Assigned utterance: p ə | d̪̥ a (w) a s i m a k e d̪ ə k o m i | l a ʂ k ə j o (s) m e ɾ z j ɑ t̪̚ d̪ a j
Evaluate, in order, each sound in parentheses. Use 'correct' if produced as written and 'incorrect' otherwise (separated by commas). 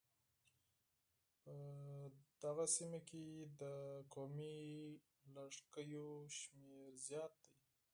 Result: incorrect, incorrect